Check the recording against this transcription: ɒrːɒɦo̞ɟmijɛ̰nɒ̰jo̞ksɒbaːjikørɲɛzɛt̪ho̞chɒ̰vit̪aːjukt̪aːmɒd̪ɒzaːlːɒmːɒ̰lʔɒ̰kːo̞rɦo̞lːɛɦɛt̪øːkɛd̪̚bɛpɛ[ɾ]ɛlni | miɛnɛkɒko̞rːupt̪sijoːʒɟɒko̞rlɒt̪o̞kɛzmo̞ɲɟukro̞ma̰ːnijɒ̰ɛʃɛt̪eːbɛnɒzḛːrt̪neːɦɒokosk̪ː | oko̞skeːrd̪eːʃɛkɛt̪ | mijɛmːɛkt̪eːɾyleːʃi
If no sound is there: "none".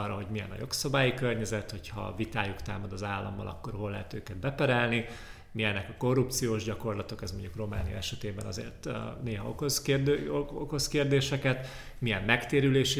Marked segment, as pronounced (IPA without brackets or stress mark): ɾ